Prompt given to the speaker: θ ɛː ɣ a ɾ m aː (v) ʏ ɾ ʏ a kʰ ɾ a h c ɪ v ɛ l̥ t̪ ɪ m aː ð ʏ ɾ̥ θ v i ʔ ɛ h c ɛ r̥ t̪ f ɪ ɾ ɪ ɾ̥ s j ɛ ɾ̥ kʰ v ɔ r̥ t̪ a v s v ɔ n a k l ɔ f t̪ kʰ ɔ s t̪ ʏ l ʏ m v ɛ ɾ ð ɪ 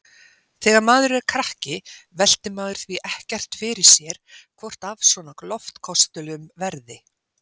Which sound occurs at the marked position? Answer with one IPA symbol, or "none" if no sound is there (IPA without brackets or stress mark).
ð